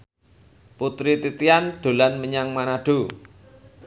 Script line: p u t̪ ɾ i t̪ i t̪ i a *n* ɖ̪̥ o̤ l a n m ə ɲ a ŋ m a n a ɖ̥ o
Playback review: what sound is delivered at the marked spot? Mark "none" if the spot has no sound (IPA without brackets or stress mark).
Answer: n